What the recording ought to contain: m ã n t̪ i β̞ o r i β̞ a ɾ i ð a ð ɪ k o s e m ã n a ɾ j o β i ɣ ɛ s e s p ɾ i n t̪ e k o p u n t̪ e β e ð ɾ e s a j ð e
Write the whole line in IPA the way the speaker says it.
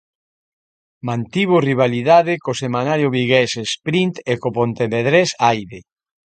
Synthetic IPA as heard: m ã n t̪ i β̞ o r i β̞ a l i ð a ð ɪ k o s e m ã n a ɾ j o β i ɣ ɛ s e s p ɾ i n t̪ e k o p o n t̪ e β e ð ɾ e s a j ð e